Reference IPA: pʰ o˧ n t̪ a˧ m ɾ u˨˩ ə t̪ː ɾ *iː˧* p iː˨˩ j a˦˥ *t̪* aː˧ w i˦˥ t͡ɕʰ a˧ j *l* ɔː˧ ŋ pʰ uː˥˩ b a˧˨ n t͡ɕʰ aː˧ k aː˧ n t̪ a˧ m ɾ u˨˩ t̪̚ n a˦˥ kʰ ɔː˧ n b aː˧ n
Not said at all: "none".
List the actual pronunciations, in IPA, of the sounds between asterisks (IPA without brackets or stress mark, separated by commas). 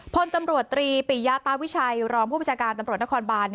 iː˧, t̪, ɾ